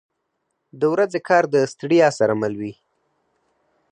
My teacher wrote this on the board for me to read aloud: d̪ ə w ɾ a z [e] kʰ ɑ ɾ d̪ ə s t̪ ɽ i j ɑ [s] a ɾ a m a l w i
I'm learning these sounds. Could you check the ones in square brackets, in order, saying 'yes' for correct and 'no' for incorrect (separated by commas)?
yes, yes